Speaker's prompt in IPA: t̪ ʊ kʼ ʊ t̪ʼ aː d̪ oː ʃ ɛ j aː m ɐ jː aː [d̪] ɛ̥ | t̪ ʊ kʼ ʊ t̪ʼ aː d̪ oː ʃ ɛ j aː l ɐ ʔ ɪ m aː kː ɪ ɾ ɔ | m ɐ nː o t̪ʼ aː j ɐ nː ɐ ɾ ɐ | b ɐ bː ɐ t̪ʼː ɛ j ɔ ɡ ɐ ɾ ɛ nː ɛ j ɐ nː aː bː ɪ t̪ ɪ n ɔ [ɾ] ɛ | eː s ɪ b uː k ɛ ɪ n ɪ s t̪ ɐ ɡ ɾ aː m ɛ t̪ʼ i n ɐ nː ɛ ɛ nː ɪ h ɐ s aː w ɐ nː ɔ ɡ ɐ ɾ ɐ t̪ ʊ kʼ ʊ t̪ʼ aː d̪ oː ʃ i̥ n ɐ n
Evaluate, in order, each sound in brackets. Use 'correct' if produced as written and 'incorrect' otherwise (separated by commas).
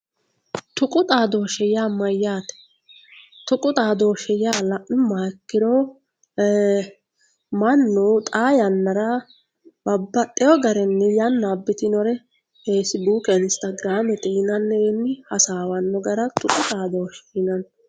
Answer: incorrect, correct